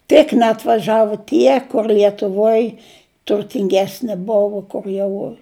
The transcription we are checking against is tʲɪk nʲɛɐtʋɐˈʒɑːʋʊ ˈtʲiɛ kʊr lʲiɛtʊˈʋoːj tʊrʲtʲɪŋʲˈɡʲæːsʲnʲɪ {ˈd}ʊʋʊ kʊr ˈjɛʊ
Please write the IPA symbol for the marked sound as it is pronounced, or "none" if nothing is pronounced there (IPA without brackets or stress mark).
b